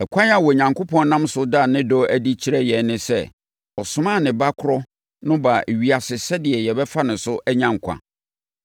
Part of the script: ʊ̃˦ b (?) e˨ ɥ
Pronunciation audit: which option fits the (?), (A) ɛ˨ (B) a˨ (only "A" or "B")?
B